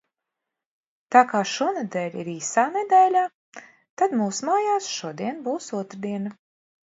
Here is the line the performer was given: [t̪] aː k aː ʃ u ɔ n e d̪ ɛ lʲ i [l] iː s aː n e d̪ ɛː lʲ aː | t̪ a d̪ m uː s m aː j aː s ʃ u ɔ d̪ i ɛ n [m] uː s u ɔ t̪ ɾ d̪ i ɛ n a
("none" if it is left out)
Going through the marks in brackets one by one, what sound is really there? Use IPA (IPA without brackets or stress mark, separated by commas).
t̪, ɾ, b